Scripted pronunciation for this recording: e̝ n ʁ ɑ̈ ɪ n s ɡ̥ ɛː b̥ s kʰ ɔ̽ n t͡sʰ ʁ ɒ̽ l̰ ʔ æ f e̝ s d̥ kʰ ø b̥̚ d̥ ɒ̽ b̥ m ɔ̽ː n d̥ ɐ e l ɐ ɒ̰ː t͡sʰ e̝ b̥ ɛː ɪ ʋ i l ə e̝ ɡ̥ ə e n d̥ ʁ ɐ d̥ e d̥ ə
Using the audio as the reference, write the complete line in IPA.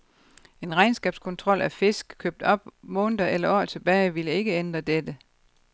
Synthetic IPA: e̝ n ʁ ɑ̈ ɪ n s ɡ̥ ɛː b̥ s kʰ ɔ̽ n t͡sʰ ʁ ɒ̽ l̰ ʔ æ f e̝ s ɡ̥ kʰ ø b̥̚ d̥ ɒ̽ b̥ m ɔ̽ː n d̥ ɐ e l ɐ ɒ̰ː t͡sʰ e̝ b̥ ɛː ɪ ʋ i l ə e̝ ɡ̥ ə e n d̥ ʁ ɐ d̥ e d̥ ə

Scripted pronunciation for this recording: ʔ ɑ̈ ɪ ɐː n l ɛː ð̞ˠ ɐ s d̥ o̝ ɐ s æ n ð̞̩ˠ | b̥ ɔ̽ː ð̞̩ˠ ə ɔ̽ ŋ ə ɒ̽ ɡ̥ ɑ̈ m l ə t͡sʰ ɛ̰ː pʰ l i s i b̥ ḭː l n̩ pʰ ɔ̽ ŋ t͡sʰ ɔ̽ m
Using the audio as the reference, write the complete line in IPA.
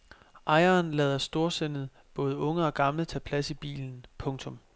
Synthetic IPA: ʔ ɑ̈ ɪ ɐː n l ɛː ð̞ˠ ɐ s d̥ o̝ ɐ s e n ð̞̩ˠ | b̥ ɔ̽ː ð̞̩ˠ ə ɔ̽ ŋ ə ɒ̽ ɡ̥ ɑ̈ m l ə t͡sʰ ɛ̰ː pʰ l æ s i b̥ ḭː l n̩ pʰ ɔ̽ ŋ t͡sʰ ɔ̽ m

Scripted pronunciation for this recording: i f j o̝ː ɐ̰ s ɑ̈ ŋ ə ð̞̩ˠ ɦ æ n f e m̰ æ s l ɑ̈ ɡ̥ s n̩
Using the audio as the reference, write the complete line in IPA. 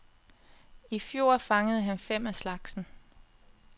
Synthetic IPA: i f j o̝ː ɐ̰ f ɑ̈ ŋ ə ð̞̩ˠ ɦ æ n f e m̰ æ s l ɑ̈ ɡ̥ s n̩

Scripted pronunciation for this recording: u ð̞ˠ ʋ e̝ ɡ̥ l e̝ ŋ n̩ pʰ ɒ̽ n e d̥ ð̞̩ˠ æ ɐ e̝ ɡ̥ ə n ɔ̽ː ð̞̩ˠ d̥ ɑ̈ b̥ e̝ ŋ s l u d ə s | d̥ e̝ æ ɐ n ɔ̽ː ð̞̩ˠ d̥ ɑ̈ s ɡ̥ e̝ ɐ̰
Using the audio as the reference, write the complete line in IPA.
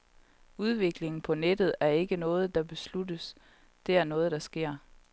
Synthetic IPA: u ð̞ˠ ʋ e̝ ɡ̥ l e̝ ŋ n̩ pʰ ɒ̽ n e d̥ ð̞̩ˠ æ ɐ e̝ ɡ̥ ə n ɔ̽ː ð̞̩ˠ d̥ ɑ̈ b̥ e̝ s l u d ə s | d̥ e̝ æ ɐ n ɔ̽ː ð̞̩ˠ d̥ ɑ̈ s ɡ̥ e̝ ɐ̰

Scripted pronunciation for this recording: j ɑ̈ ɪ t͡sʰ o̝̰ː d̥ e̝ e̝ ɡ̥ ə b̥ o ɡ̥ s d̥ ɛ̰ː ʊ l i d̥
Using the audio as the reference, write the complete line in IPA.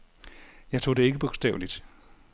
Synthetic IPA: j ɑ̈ ɪ t͡sʰ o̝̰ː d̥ e̝ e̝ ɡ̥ ə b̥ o ɡ̥ s d̥ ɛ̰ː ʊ l i d̥

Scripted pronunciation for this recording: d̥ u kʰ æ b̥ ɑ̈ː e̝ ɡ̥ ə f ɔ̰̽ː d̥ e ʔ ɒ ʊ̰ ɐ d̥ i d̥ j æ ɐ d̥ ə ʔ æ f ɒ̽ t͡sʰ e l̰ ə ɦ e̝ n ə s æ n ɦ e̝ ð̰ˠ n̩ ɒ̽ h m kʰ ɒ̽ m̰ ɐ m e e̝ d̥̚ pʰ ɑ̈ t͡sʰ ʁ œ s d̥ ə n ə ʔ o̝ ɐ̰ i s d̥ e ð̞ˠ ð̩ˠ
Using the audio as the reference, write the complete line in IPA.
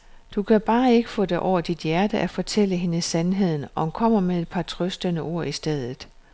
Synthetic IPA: d̥ u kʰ æ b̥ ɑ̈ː e̝ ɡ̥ ə f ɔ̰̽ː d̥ e ʔ ɒ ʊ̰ ɐ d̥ i d̥ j æ ɐ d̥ ə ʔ æ f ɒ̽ t͡sʰ e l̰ ə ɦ e̝ n ə s æ n ɦ e̝ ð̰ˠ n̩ ɒ̽ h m kʰ ɒ̽ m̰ ɐ m e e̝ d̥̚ pʰ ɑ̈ t͡sʰ ʁ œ s d̥ ə n ə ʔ o̝ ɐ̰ i s d̥ e ð̞ˠ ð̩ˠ

